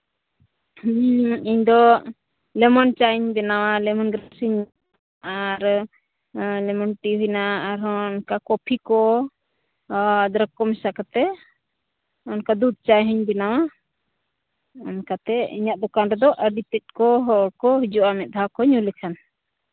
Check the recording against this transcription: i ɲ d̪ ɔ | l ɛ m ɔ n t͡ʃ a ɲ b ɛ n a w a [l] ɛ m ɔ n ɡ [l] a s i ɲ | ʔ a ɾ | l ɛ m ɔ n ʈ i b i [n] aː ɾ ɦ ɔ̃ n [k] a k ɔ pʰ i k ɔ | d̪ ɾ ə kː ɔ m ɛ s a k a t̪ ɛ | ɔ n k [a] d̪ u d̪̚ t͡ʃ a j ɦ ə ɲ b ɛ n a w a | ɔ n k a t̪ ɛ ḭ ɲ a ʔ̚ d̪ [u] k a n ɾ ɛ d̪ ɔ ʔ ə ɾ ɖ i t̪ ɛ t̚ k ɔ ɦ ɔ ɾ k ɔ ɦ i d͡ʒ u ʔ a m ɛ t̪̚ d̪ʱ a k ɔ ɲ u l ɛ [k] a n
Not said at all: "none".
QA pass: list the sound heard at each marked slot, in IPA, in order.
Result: l, ɾ, n, k, a, ɔ, kʰ

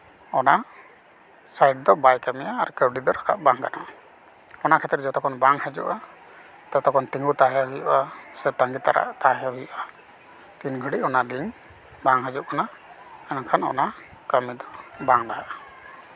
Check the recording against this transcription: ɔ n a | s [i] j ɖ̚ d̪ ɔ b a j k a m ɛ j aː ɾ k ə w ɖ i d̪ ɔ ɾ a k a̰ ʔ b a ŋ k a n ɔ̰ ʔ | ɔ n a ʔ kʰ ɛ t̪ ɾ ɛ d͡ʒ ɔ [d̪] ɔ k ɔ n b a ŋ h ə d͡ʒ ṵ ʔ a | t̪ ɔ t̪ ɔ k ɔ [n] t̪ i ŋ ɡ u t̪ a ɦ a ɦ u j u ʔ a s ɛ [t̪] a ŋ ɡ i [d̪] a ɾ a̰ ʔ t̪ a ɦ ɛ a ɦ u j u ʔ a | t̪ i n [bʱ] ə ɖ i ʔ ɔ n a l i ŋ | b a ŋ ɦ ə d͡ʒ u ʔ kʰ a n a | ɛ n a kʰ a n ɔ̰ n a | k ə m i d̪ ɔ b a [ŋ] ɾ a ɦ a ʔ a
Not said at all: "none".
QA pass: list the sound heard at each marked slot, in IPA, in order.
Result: a, t̪, n, t̪, t̪, ɡʱ, ŋ

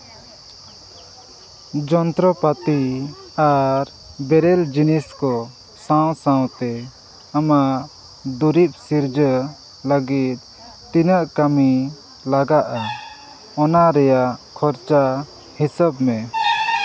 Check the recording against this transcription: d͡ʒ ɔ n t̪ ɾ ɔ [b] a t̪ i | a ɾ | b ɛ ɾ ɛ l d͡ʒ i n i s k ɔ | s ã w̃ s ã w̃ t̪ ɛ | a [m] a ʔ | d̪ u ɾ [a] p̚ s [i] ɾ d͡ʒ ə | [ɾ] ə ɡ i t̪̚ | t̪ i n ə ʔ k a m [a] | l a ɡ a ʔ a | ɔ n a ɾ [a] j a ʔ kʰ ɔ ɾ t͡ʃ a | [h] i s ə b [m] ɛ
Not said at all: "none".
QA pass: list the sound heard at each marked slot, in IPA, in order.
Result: p, m, i, i, l, i, ɛ, h, m

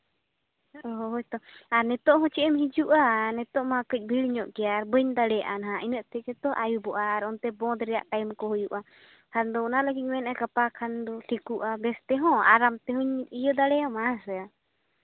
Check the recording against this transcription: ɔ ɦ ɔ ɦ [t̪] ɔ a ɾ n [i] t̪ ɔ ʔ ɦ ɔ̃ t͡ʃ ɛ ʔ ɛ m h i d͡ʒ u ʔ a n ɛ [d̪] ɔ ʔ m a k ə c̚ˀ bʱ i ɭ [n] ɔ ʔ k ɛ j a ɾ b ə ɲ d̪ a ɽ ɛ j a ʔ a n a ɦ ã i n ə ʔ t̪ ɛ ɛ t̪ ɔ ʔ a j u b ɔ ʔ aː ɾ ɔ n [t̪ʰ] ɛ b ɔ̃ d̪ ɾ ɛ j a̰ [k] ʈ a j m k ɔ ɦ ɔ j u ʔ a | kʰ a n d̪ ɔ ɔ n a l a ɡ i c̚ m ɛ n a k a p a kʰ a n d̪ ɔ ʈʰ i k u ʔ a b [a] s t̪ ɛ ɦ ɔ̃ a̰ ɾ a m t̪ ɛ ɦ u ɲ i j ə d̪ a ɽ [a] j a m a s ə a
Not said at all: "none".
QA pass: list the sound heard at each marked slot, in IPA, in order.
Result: t̪, ɛ, t̪, ɲ, t̪, ʔ, ɛ, ɛ

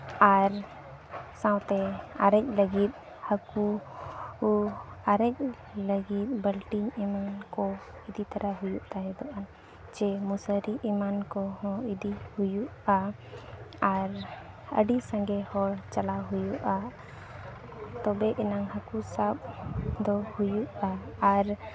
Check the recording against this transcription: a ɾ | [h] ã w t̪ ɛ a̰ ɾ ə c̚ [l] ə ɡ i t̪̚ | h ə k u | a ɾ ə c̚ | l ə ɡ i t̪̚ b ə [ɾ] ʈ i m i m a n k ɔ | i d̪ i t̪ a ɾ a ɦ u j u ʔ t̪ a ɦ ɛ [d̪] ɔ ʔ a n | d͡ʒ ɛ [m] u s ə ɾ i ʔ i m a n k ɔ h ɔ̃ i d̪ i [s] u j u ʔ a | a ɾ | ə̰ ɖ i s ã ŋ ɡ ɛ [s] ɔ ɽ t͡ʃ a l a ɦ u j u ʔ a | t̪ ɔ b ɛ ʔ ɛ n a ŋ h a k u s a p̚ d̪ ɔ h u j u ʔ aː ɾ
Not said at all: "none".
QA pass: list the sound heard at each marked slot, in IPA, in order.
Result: s, l, l, d̪, m, h, h

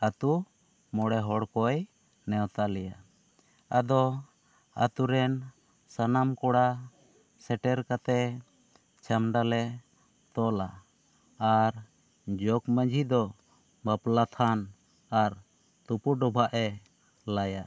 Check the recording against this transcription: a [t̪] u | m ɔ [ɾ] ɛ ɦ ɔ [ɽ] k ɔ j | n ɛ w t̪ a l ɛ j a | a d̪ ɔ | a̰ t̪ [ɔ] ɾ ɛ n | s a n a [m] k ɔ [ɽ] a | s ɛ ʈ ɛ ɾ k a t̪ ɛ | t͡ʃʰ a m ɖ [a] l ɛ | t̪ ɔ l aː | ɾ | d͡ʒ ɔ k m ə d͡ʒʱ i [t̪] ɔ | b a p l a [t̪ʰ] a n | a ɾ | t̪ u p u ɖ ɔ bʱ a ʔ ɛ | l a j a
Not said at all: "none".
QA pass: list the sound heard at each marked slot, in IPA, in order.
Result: t̪, ɽ, ɽ, u, m, ɽ, a, d̪, t̪ʰ

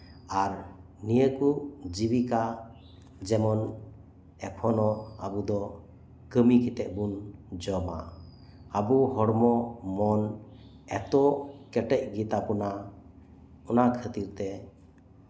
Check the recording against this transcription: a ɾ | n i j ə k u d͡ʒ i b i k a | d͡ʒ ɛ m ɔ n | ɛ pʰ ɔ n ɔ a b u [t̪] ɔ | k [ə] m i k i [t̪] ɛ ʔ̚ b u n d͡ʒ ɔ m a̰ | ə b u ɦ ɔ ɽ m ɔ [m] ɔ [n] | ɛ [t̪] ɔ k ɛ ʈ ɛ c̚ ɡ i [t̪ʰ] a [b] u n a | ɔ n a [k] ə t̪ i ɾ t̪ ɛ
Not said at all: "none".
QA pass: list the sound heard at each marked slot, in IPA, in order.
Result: d̪, ə, t̪, m, n, t̪, t̪, p, kʰ

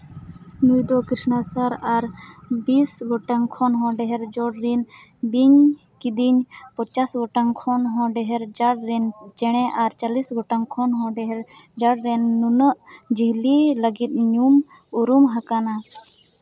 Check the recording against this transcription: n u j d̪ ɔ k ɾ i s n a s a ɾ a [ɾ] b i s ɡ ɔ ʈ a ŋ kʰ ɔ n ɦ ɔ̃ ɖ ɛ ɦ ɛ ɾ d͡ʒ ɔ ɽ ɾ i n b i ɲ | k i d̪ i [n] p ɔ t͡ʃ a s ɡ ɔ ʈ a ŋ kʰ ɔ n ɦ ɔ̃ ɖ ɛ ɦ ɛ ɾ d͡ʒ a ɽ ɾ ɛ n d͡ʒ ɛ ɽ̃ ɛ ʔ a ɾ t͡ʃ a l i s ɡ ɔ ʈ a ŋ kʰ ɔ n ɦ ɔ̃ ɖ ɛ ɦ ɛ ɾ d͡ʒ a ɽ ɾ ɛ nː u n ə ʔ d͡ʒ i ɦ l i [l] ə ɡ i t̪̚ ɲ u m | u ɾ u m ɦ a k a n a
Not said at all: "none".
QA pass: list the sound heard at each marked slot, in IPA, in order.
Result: ɾ, ɲ, l

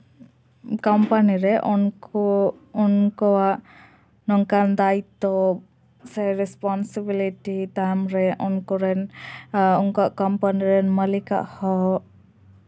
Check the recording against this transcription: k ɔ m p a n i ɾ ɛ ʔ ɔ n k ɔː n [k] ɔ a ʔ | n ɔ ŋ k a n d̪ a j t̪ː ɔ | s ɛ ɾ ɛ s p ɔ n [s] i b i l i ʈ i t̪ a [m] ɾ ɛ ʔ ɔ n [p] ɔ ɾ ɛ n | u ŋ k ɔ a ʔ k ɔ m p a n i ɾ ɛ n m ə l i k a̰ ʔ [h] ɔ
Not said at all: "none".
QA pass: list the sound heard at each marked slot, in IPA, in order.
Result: k, s, m, k, h

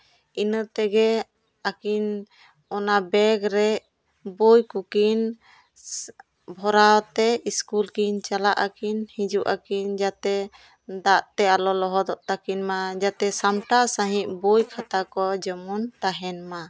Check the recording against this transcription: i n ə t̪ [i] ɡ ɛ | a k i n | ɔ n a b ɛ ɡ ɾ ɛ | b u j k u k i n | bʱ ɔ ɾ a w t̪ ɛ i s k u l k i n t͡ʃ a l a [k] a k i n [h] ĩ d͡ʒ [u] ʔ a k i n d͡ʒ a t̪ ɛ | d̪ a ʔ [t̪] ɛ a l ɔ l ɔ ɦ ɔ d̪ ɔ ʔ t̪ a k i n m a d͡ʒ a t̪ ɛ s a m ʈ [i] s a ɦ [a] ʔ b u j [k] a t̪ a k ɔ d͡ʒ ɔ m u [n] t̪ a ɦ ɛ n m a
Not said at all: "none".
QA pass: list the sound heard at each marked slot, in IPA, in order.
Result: ɛ, ʔ, h, u, t̪, a, i, kʰ, n

